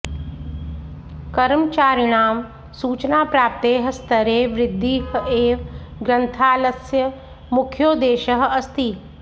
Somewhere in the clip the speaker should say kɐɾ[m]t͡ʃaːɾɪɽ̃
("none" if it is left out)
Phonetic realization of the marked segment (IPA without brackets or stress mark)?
m